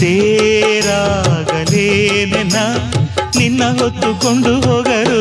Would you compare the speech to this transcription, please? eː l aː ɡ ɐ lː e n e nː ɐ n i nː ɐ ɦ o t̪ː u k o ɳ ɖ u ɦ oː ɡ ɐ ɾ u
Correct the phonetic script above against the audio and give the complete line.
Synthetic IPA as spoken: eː ɾ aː ɡ ɐ l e n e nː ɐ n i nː ɐ ɦ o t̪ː u k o ɳ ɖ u ɦ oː ɡ ɐ ɾ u